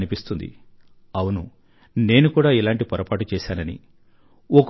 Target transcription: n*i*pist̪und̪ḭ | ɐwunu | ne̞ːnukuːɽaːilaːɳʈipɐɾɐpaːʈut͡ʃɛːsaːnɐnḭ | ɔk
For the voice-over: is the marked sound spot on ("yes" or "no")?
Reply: yes